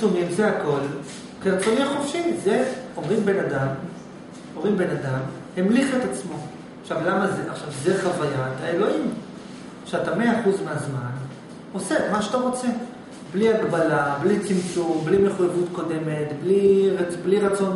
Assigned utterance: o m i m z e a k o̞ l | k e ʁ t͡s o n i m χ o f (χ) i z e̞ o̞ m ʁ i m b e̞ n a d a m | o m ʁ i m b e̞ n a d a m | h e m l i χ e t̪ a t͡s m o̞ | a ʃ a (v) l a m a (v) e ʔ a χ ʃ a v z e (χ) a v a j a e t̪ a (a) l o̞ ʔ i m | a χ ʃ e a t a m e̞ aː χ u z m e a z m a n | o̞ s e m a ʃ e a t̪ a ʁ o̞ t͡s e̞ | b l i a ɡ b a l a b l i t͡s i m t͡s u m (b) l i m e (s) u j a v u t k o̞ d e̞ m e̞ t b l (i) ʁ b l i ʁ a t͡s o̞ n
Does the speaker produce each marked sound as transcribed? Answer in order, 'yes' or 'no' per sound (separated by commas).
no, yes, no, yes, no, yes, no, yes